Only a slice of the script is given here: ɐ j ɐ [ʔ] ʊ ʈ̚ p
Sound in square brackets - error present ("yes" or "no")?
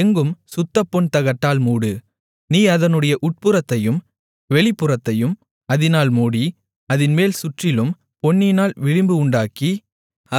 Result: no